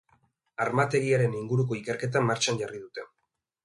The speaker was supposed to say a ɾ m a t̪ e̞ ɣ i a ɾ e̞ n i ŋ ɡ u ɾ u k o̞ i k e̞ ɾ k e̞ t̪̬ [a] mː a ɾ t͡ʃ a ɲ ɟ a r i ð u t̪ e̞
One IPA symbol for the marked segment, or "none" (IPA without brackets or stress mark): a